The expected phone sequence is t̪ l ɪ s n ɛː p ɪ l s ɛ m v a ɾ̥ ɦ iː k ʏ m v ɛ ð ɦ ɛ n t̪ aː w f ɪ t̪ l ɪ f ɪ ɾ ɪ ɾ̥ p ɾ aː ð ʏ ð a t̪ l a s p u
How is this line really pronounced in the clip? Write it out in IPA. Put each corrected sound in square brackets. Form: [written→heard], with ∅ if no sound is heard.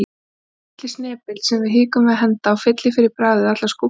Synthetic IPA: t̪ l ɪ s n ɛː p ɪ l s ɛ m v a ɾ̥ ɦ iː k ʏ m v ɛ ð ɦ ɛ n t̪ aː w f ɪ t̪ l ɪ f ɪ ɾ ɪ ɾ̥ p ɾ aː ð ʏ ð a t̪ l a s [p→k] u